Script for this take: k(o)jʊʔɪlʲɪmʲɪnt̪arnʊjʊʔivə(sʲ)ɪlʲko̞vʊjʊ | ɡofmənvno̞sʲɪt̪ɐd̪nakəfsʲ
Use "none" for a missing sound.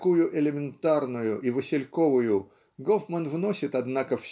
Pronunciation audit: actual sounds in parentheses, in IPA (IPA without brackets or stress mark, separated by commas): u, sʲ